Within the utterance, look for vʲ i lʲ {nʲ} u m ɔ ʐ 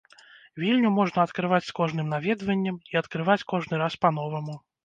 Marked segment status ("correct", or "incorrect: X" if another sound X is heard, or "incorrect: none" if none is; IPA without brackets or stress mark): correct